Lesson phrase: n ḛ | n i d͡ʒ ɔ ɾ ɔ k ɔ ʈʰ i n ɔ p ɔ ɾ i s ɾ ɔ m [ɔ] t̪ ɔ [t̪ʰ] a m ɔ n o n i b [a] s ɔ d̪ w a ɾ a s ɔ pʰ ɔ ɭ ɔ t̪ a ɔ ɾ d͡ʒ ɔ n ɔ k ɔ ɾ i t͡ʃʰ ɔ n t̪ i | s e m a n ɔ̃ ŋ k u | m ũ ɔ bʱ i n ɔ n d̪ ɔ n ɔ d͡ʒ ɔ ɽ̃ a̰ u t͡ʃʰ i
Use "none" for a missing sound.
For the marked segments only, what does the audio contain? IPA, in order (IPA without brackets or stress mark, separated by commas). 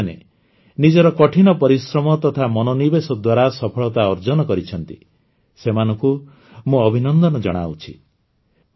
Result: ɔ, t̪ʰ, e